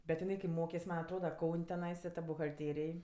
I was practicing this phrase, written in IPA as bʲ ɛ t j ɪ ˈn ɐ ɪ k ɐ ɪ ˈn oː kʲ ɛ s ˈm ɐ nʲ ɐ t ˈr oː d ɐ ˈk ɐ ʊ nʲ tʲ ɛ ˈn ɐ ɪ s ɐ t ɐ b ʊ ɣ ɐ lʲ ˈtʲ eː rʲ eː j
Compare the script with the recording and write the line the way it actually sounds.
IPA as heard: bʲ ɛ t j ɪ ˈn ɐ ɪ k ɐ ɪ ˈm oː kʲ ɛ s ˈm ɐ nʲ ɐ t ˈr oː d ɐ ˈk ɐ ʊ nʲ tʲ ɛ ˈn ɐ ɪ s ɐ t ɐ b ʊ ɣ ɐ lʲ ˈtʲ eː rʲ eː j